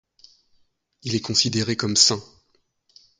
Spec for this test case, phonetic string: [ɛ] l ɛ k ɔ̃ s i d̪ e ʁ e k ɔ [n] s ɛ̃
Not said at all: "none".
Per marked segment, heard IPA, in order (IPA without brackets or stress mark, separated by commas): i, m